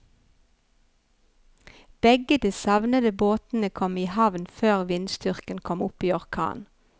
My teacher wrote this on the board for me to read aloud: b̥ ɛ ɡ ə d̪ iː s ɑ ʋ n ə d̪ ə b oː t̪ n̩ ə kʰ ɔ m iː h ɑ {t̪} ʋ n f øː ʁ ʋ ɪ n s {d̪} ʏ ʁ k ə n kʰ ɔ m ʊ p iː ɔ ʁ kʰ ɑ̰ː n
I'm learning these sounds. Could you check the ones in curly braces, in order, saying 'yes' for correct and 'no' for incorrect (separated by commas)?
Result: no, no